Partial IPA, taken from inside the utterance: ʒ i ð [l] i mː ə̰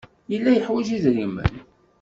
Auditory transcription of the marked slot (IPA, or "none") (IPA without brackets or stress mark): ɾ